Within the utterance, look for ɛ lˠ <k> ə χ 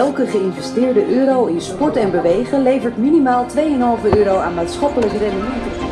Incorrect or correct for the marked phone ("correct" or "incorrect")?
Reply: correct